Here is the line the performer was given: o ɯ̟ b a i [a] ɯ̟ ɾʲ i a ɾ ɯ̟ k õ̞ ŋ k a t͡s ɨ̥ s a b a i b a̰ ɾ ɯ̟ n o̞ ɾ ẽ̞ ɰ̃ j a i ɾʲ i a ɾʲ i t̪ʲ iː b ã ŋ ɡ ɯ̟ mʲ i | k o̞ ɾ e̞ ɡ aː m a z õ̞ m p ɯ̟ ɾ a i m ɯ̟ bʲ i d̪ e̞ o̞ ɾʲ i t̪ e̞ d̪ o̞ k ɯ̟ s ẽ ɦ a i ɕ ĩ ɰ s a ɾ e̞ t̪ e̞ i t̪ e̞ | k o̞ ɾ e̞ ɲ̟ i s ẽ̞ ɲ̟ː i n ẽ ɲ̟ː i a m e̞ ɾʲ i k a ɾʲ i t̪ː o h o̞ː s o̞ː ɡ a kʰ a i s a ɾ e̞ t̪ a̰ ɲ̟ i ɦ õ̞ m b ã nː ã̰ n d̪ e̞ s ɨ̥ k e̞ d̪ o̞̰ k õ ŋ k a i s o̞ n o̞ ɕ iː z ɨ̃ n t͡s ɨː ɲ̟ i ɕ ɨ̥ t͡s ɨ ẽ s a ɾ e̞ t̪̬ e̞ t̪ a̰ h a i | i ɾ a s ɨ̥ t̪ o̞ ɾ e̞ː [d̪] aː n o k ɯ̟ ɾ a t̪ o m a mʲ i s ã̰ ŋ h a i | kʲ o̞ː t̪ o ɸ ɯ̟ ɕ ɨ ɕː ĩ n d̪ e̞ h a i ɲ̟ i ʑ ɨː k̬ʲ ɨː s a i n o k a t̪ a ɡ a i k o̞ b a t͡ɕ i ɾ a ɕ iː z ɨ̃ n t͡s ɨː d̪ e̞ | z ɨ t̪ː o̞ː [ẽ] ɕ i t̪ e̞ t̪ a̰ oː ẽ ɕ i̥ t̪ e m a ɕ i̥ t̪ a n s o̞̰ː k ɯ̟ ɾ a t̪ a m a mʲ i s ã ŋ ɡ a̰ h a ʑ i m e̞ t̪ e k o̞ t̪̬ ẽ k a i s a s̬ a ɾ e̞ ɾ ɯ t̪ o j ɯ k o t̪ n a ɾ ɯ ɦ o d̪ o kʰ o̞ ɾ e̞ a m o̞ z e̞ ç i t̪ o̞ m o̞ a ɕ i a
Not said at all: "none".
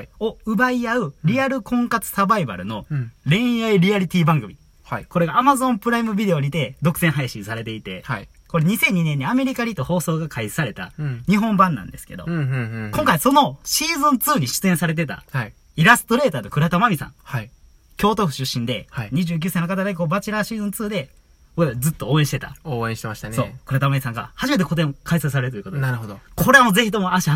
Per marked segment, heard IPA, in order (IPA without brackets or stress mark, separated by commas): a, t̪, ẽ